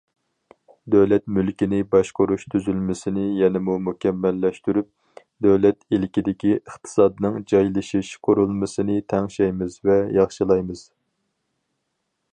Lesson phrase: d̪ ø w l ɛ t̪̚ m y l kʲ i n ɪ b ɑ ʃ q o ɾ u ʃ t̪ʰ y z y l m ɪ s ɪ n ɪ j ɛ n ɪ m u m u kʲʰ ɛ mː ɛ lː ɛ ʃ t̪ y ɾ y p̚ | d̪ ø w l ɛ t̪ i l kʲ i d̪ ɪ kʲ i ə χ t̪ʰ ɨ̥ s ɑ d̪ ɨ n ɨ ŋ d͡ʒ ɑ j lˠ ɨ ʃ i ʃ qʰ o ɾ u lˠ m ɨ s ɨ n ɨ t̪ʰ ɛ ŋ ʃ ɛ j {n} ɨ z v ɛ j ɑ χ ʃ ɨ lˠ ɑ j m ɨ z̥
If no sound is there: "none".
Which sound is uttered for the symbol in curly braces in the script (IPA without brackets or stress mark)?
m